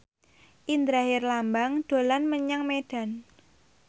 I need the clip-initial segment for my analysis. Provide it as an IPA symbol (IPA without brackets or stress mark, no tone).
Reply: ʔ